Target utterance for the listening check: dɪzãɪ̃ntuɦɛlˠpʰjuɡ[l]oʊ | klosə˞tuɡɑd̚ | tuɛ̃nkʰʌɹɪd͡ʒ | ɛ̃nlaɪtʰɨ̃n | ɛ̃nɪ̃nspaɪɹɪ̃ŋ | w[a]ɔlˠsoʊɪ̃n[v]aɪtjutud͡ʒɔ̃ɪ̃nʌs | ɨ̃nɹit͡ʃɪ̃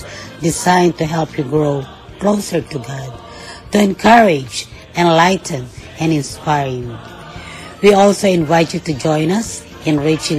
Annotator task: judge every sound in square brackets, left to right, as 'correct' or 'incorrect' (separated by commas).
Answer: incorrect, incorrect, correct